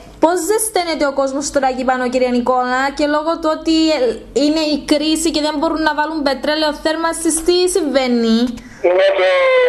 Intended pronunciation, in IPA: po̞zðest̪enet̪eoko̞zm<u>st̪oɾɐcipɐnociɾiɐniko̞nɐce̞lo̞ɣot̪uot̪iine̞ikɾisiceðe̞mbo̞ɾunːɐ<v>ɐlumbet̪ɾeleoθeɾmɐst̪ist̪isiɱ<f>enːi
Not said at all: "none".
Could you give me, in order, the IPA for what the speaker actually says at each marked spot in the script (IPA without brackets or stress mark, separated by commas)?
o, v, v